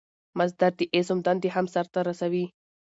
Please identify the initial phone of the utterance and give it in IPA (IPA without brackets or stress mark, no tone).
m